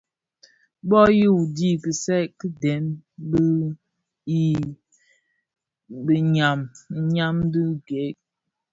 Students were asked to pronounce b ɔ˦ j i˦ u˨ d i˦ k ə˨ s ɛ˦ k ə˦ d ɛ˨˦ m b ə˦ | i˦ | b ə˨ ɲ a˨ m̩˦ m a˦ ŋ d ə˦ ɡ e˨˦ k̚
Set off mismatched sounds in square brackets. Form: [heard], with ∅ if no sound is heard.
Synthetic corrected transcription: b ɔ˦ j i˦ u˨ d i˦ k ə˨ s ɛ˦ k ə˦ d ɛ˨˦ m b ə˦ | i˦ | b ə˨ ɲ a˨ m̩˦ [ɲ] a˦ [m] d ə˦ ɡ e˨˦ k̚